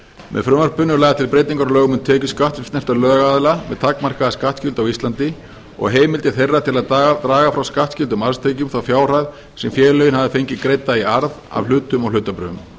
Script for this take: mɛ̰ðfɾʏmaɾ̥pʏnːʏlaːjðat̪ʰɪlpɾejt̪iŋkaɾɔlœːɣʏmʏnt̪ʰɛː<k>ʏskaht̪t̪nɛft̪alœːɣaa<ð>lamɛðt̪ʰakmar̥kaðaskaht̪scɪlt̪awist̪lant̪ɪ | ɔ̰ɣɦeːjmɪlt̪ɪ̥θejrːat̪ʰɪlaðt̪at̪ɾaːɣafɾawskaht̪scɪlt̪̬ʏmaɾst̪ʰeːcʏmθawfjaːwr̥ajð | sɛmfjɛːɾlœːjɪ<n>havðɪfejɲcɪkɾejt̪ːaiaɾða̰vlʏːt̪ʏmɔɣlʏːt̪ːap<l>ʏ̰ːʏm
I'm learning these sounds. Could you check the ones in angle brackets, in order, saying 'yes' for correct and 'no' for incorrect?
no, yes, yes, no

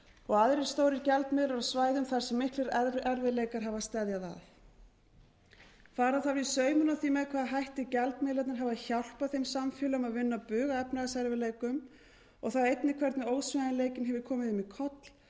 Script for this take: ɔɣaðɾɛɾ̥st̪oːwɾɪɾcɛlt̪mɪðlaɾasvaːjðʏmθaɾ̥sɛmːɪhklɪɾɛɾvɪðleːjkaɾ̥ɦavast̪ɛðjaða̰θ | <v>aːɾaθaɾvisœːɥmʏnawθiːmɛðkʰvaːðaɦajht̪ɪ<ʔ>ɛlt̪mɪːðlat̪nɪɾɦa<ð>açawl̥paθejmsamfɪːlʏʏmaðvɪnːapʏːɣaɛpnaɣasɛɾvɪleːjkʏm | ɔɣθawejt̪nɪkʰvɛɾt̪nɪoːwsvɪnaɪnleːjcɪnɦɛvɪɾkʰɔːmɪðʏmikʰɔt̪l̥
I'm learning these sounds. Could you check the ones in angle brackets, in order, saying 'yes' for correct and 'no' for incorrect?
no, no, no

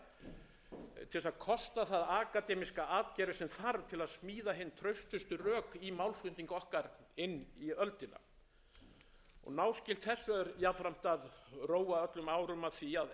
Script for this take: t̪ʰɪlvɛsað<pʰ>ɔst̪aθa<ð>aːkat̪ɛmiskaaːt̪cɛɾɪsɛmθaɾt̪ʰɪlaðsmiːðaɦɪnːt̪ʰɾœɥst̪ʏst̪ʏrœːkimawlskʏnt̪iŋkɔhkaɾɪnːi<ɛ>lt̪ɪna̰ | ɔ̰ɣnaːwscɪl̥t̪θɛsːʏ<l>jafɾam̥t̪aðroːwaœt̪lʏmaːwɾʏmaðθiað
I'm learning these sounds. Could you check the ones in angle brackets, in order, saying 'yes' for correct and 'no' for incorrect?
no, yes, no, no

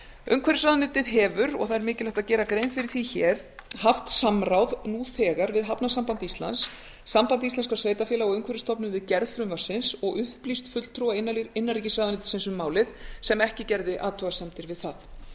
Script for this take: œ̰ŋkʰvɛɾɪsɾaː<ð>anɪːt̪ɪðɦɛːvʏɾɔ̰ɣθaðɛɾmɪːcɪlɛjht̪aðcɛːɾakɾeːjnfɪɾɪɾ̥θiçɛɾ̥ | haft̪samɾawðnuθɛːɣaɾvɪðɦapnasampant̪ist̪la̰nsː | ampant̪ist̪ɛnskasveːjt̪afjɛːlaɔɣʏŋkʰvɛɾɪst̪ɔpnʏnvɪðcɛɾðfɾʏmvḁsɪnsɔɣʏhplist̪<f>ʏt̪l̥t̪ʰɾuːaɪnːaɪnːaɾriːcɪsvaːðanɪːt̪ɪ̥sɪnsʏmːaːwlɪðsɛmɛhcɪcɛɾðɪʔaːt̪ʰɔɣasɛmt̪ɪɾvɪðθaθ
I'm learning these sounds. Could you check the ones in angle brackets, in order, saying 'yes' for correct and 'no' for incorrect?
yes, yes

